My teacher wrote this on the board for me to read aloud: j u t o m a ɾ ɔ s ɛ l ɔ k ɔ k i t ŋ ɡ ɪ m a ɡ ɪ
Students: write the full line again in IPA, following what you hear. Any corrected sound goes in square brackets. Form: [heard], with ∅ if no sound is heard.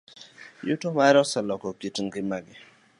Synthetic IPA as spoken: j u t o m a ɾ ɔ s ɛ l ɔ k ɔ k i t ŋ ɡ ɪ m a ɡ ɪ